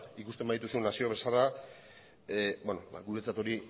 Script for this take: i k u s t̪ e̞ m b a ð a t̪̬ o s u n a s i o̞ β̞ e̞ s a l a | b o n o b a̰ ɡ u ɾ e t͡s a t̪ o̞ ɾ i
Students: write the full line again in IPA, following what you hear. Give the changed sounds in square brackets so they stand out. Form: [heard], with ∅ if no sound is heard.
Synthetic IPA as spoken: i k u s t̪ e̞ m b a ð [i] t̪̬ [u] s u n a s i o̞ β̞ e̞ s a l a | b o n o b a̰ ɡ u ɾ e t͡s a t̪ o̞ ɾ i